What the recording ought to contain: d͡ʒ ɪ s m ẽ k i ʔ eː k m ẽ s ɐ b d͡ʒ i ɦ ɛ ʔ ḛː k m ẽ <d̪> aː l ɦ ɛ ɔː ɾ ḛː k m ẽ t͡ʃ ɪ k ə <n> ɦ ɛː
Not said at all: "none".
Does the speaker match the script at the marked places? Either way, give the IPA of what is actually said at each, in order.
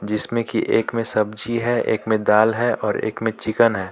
d̪, n

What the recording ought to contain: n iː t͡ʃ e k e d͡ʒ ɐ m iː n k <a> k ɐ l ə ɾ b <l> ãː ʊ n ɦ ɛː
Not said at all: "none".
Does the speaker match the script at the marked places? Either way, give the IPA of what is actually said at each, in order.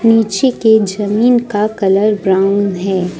a, ɾ

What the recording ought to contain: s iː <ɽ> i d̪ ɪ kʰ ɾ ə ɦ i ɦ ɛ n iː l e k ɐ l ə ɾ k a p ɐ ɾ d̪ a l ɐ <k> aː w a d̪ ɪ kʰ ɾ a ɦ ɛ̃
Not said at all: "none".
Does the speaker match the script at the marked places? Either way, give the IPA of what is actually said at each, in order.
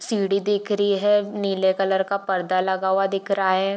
ɽ, ɡ

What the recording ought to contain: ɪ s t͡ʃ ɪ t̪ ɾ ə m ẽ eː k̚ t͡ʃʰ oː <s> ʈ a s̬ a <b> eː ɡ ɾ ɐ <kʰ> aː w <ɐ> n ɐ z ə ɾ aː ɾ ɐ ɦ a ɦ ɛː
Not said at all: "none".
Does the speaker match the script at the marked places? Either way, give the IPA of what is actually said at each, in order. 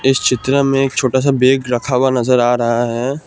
none, b, kʰ, a

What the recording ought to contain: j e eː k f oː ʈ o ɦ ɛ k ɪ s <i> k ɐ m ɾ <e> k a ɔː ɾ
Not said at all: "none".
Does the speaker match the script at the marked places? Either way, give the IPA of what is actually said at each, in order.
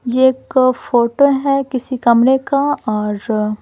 i, e

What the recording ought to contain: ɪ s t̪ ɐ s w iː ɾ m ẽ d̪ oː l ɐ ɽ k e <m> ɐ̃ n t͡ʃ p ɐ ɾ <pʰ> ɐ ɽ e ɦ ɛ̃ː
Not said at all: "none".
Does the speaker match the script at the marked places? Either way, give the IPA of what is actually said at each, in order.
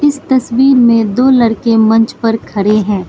m, kʰ

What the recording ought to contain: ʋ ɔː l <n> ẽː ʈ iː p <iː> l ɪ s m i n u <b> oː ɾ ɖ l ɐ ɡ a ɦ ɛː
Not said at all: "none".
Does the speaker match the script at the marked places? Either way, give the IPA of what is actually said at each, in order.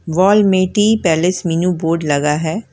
m, ɛː, b

